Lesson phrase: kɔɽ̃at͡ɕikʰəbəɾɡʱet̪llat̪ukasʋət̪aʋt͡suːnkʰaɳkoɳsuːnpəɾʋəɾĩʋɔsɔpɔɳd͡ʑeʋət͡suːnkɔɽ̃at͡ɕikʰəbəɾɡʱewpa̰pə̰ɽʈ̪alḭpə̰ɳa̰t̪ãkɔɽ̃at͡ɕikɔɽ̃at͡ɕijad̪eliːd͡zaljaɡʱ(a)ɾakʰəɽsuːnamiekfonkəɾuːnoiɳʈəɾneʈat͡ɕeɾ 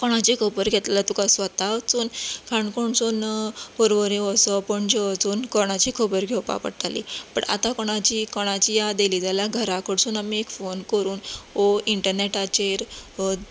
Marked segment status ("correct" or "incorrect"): incorrect